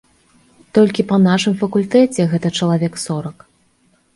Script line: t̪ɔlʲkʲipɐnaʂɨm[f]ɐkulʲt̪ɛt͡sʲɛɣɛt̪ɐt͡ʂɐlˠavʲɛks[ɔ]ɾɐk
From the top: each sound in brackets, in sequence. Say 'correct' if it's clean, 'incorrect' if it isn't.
correct, correct

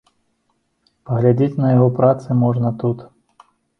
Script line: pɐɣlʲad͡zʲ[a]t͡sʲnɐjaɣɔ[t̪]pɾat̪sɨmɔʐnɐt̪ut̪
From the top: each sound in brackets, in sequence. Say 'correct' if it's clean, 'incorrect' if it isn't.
incorrect: e, incorrect: none

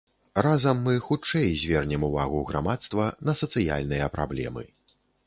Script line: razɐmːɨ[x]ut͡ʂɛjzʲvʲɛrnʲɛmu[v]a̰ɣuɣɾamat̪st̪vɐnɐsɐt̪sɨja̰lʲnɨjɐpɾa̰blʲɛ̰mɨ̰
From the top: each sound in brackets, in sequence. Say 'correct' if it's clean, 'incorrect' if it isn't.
correct, correct

